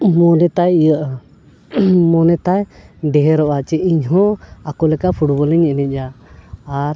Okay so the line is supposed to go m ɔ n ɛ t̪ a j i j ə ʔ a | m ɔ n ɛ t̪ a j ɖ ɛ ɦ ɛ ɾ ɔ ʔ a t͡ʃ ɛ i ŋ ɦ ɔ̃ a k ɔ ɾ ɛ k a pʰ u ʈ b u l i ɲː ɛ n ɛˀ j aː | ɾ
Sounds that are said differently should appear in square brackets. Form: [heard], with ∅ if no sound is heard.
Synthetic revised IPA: m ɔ n ɛ t̪ a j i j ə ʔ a | m ɔ n ɛ t̪ a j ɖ ɛ ɦ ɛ ɾ ɔ ʔ a t͡ʃ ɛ i [ɲ] ɦ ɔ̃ a k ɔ [l] ɛ k a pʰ u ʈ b [ɔ] l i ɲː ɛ n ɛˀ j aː | ɾ